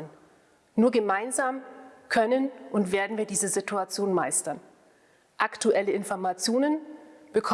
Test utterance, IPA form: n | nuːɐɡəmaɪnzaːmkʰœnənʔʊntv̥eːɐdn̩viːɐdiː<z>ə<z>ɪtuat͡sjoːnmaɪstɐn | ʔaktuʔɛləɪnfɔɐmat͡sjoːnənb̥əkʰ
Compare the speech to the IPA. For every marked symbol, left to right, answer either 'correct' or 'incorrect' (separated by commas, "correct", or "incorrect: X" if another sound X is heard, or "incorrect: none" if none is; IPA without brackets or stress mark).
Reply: correct, correct